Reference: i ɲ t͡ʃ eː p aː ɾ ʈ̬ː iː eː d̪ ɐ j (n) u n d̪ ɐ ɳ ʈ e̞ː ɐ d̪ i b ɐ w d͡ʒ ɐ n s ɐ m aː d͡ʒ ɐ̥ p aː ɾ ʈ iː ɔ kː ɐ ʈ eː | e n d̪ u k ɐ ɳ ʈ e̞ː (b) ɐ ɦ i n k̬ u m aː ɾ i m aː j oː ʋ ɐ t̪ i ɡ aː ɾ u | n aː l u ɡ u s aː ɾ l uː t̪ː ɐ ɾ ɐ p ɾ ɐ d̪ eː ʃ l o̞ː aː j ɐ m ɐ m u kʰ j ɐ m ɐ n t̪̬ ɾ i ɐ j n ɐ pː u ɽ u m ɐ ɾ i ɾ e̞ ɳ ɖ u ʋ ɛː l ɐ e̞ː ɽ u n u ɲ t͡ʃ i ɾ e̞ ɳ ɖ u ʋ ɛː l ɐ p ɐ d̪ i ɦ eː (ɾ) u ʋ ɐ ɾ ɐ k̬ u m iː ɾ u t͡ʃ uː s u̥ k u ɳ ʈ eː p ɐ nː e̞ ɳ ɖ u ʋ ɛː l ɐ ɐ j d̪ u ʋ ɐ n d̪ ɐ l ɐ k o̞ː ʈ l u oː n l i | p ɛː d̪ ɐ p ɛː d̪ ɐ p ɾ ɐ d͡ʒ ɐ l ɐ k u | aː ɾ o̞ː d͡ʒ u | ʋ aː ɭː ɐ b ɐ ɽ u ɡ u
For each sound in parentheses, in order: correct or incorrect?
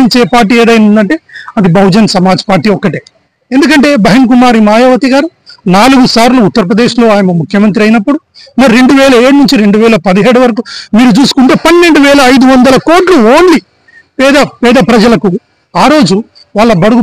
correct, correct, incorrect

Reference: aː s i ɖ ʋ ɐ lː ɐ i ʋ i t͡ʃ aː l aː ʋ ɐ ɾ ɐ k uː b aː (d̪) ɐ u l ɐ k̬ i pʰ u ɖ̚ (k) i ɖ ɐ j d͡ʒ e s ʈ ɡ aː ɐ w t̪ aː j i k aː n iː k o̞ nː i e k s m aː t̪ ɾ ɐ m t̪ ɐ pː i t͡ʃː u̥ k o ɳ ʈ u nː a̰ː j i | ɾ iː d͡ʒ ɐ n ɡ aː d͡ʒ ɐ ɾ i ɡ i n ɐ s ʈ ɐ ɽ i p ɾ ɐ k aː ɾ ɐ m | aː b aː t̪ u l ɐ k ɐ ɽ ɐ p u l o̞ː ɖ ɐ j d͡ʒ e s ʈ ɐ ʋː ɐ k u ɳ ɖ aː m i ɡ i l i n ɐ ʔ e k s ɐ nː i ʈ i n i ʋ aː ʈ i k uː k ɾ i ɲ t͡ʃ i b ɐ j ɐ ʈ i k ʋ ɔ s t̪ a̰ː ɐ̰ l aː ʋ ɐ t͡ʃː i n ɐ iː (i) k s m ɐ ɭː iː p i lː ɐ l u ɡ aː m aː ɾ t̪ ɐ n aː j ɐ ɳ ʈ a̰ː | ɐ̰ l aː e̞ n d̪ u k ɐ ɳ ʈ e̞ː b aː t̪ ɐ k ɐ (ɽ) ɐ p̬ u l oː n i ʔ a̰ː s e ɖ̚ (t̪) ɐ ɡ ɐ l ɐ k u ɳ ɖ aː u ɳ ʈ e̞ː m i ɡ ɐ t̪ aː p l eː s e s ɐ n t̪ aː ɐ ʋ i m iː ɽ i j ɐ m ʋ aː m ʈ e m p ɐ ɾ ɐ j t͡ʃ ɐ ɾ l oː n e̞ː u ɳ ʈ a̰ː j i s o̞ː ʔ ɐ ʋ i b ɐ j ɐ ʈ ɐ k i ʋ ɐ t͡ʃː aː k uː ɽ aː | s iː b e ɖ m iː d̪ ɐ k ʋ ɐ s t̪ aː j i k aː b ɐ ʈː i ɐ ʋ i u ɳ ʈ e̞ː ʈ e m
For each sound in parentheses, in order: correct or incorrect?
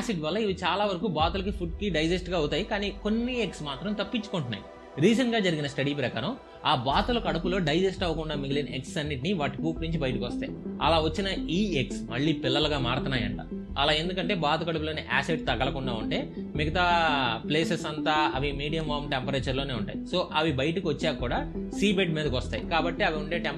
incorrect, correct, incorrect, correct, correct

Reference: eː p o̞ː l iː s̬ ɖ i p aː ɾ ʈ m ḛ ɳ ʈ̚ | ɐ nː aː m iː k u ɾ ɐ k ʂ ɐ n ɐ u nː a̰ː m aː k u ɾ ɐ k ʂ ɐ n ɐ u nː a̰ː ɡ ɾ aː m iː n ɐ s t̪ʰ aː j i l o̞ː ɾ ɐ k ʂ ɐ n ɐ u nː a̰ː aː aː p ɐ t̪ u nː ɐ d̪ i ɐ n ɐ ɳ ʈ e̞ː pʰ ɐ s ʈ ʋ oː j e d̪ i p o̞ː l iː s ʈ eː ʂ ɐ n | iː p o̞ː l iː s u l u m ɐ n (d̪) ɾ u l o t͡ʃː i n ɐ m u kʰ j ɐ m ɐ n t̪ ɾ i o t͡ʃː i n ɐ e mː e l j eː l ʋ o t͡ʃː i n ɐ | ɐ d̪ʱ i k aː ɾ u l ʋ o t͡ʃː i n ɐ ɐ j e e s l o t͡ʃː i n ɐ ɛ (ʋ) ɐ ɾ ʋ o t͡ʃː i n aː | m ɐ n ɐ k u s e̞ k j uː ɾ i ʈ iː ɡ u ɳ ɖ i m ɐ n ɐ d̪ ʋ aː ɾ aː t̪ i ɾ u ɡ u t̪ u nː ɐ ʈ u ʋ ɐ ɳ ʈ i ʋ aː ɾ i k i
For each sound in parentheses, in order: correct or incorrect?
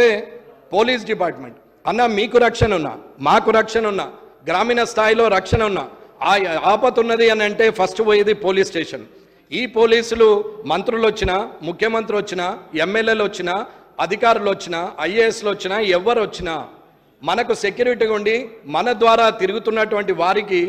incorrect, incorrect

